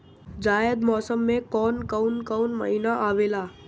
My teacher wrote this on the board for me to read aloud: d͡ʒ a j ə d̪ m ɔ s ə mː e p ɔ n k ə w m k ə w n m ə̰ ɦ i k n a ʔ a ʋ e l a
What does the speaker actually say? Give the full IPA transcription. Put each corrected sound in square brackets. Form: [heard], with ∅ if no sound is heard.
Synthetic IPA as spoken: d͡ʒ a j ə d̪ m ɔ s ə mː e [k] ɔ n k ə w [n] k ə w n m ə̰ ɦ i [∅] n a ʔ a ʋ e l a